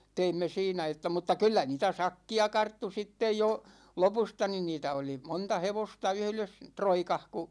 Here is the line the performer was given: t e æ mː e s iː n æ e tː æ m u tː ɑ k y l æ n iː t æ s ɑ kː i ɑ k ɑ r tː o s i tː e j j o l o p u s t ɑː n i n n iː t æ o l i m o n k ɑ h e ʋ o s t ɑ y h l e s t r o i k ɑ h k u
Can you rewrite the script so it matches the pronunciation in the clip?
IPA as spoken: t e i mː e s iː n æ e tː æ m u tː ɑ k y lː æ n iː t æ s ɑ kː i ɑ k ɑ r tː u s i tː e j j o l o p u s t ɑ n i n n iː t æ o l i m o n t ɑ h e ʋ o s t ɑ y h l e s t r o i k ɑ h k u